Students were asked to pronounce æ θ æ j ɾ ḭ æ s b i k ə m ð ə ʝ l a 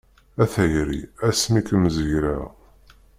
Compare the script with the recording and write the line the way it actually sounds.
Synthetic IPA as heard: æ θ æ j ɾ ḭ æ s m i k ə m z ə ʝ ɾ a